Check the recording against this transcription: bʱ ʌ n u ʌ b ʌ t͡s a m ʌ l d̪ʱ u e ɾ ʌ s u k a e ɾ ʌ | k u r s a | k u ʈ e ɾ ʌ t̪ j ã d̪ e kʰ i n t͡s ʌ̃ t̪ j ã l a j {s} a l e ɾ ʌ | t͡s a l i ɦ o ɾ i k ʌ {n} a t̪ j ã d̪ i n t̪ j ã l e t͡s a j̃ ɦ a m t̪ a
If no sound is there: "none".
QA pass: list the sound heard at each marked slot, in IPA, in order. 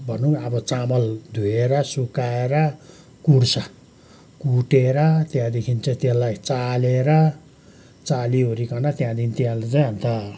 t͡s, n

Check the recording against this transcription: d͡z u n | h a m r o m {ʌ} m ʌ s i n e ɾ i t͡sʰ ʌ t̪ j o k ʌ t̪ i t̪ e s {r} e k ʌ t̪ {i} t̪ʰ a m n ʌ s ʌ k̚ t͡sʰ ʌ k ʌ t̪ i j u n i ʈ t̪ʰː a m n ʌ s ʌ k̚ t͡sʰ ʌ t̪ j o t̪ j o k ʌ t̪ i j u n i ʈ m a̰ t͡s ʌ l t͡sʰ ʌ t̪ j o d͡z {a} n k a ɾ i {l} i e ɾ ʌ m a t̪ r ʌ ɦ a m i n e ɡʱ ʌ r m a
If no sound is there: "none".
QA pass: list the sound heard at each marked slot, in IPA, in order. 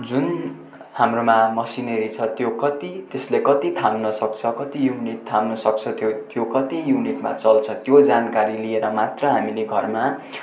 a, l, i, a, l

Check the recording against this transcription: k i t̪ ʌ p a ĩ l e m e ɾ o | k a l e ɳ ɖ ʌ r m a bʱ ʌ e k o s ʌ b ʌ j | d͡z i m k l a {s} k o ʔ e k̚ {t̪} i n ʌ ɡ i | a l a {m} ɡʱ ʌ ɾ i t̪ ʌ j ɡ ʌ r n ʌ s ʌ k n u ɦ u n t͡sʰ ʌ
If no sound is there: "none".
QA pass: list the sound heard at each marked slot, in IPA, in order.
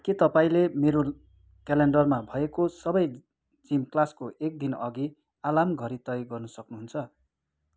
s, d̪, m

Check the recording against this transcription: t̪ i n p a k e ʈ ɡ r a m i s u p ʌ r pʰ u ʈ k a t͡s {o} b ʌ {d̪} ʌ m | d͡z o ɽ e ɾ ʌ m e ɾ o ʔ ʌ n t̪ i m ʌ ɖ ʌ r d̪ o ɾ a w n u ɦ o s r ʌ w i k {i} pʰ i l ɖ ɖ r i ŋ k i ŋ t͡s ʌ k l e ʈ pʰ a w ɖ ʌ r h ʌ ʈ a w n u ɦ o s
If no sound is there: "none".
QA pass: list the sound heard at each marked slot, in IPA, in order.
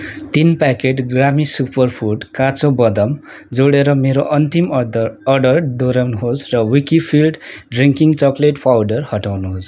o, d̪, i

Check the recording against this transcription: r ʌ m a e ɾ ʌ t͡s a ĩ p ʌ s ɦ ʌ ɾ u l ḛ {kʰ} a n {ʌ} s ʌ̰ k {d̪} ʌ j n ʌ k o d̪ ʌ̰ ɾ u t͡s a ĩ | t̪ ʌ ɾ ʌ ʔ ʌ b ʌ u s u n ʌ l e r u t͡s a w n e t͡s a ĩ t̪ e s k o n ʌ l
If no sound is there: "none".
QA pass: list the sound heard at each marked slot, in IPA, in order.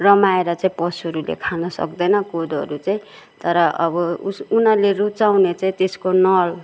kʰ, ʌ, d̪

